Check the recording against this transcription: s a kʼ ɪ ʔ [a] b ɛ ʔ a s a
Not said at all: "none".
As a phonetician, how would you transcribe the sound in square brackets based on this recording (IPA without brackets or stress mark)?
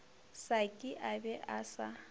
a